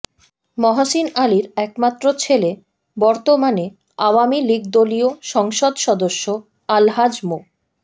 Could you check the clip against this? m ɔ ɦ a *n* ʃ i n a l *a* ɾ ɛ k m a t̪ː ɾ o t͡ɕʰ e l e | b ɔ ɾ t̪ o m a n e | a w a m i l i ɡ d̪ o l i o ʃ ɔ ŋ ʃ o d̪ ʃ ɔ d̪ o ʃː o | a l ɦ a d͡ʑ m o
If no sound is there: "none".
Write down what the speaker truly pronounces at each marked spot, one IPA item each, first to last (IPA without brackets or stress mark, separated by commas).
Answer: none, i